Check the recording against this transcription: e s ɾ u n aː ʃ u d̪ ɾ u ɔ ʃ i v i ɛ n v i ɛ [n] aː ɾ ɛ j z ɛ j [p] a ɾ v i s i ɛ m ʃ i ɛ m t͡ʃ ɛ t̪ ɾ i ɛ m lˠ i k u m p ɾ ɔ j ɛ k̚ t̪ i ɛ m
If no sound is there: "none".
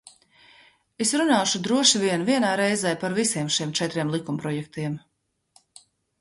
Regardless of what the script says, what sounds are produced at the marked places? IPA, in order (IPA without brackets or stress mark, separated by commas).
n, p